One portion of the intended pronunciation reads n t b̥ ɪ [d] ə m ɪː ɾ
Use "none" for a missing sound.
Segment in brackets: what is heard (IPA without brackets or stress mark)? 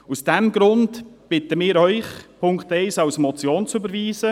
t